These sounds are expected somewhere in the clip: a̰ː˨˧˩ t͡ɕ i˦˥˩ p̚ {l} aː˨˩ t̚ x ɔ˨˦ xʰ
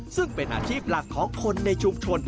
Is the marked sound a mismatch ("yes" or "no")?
no